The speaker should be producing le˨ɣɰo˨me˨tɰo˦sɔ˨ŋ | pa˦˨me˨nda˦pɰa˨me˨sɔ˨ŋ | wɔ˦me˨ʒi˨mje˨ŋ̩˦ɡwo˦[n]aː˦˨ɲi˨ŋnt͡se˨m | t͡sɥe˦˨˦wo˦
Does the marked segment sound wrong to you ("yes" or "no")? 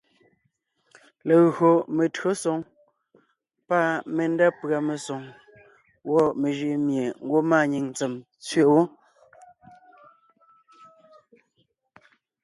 yes